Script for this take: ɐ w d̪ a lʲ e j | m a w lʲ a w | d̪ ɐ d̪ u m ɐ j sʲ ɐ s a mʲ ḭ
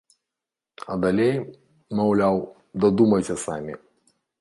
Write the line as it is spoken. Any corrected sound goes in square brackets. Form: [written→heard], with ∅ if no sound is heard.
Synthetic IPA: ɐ [w→∅] d̪ a lʲ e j | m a w lʲ a w | d̪ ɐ d̪ u m ɐ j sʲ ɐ s a mʲ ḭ